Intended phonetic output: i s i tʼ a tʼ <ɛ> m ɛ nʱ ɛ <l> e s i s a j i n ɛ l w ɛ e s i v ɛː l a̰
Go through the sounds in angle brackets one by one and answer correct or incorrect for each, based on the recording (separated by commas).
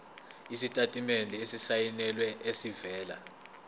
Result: incorrect, incorrect